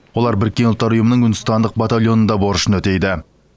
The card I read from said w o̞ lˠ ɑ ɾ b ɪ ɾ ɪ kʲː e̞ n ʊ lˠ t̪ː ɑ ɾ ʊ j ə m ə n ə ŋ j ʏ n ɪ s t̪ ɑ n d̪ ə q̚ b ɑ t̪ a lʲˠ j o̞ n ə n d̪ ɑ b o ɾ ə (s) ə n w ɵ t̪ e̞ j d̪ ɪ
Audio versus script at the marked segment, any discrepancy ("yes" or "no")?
yes